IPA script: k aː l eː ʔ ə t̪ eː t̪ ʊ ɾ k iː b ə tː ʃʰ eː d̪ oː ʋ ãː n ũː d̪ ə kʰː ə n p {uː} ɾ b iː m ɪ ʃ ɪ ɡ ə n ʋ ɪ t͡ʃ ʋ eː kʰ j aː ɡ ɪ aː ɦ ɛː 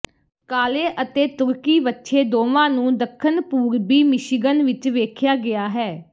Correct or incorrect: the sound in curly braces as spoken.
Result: correct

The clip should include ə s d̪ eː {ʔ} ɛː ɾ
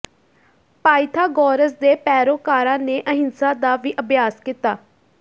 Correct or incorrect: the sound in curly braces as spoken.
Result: incorrect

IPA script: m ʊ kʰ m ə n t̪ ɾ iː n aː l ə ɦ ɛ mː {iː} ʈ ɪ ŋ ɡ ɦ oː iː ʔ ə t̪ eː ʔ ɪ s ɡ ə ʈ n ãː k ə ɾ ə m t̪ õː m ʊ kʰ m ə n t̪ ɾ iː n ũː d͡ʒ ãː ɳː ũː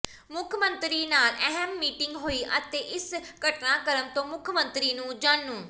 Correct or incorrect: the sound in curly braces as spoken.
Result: correct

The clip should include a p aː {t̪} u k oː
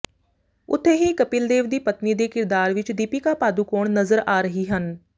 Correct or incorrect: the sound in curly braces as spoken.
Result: incorrect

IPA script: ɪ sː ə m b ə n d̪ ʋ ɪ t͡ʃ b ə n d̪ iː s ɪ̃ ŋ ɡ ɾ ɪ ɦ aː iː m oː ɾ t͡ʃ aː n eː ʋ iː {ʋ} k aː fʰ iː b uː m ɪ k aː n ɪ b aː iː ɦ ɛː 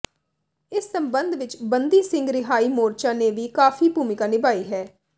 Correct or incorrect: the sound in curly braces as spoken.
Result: incorrect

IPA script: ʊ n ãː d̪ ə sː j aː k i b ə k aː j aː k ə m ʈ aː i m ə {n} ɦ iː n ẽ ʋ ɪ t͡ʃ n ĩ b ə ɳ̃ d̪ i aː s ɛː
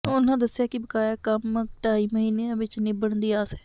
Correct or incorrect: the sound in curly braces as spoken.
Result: incorrect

